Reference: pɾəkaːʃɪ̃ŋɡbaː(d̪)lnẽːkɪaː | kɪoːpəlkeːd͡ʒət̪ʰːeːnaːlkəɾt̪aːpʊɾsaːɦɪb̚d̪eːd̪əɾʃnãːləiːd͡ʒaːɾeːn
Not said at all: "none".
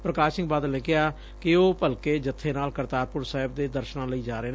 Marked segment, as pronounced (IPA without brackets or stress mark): d̪